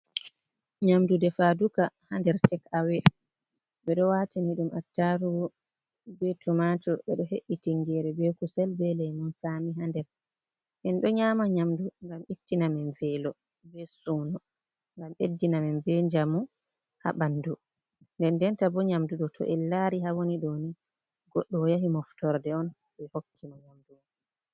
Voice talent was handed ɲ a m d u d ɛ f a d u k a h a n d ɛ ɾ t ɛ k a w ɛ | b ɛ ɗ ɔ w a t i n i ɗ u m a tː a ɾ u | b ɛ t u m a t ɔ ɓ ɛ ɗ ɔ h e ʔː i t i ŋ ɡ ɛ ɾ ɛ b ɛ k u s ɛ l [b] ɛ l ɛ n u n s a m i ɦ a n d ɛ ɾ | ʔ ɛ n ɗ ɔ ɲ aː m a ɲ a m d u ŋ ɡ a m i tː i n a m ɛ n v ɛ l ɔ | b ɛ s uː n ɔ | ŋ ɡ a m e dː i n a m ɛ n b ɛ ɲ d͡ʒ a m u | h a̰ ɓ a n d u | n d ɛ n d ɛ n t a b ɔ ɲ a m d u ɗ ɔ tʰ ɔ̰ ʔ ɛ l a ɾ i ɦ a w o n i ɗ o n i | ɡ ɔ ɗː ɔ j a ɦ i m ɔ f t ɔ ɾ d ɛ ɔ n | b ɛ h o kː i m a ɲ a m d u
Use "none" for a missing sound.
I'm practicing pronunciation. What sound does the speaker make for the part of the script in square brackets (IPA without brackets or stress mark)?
b